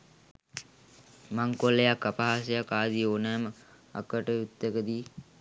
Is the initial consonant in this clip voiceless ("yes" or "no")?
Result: no